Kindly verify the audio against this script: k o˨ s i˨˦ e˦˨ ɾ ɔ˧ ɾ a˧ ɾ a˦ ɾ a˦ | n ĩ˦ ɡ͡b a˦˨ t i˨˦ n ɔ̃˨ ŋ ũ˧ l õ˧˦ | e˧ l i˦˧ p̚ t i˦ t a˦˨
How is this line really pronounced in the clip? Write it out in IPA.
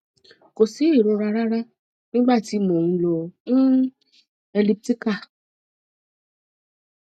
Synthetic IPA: k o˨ s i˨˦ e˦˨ ɾ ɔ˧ ɾ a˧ ɾ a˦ ɾ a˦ | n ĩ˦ ɡ͡b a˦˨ t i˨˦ m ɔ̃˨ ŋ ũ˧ l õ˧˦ | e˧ l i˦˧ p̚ t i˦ k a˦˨